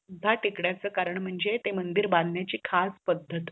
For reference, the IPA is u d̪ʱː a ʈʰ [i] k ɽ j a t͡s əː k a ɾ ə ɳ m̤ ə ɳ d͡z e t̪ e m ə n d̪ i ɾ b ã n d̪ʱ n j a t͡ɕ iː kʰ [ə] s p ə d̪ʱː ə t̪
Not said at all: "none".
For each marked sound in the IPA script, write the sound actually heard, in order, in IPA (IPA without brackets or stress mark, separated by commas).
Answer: i, a